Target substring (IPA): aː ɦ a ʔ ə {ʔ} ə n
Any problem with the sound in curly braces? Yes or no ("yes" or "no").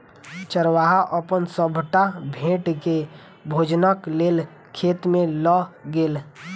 yes